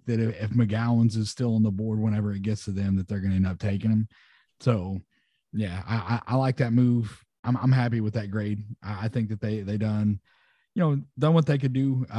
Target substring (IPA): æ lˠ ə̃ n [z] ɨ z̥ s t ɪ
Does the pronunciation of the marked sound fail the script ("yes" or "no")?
no